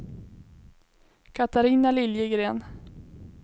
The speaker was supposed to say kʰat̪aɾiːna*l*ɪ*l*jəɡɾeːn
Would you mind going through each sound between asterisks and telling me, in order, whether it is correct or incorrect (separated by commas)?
correct, correct